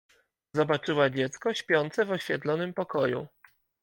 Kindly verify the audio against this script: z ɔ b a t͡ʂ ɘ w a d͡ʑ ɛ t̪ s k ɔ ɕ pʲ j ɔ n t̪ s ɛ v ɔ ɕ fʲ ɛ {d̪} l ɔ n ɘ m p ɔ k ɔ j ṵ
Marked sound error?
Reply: yes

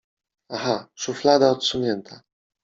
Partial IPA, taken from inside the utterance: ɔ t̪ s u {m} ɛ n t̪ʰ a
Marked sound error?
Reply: yes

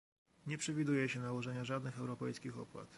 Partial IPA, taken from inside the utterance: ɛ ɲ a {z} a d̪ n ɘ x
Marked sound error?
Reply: yes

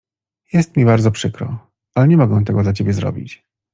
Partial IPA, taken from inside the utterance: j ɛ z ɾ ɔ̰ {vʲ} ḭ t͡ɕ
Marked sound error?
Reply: yes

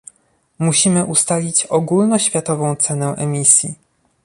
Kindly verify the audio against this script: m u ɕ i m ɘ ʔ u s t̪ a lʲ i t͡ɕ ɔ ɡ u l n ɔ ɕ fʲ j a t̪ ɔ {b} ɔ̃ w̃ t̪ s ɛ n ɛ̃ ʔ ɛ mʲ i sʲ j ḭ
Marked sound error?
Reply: yes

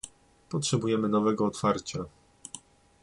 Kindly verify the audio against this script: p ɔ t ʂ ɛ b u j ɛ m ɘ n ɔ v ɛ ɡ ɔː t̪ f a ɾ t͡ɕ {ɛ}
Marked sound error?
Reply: yes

